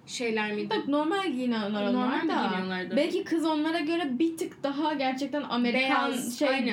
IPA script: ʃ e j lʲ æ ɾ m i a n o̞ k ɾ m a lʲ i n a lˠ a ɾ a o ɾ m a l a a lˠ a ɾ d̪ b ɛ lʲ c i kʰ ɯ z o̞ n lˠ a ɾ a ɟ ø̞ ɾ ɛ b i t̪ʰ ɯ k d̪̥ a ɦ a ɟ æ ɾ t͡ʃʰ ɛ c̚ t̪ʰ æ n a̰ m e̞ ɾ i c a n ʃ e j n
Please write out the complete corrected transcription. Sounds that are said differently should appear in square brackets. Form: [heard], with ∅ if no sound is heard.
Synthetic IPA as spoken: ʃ e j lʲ æ ɾ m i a n o̞ [∅] ɾ m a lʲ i n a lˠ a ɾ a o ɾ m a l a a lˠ a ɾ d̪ b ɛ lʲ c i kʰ ɯ z o̞ n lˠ a ɾ a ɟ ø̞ ɾ ɛ b i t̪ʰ ɯ k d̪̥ a ɦ a ɟ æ ɾ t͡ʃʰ ɛ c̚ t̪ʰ æ n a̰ m e̞ ɾ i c a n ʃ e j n